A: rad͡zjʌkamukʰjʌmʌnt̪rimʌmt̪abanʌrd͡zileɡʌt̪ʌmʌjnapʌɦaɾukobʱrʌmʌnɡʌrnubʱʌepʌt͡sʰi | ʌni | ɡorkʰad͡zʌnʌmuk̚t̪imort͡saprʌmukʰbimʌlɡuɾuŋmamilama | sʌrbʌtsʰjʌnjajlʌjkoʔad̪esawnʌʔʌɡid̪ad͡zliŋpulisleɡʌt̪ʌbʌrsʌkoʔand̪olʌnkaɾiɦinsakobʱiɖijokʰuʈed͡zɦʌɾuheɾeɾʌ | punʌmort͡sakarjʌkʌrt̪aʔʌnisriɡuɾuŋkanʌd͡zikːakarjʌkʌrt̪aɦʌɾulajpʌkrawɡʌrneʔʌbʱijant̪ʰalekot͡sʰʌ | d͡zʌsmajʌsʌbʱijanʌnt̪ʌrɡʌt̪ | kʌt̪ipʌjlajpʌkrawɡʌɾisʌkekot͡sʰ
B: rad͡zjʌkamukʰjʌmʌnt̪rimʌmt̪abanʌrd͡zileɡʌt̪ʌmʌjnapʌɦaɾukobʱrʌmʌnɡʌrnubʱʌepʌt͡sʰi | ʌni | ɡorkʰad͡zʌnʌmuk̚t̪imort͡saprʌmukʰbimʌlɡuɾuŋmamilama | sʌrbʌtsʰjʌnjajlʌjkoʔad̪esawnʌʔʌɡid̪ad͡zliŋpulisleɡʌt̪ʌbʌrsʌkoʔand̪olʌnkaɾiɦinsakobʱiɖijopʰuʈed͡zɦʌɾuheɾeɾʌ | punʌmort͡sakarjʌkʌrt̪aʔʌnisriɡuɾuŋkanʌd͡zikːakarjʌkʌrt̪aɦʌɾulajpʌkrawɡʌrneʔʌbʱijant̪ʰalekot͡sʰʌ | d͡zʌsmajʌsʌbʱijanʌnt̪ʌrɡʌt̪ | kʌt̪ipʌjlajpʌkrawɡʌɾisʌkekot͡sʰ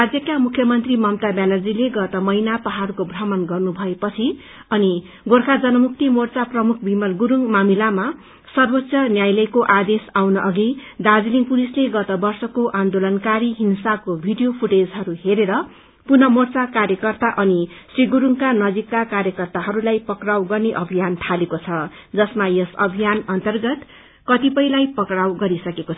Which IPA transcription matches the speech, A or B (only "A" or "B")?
B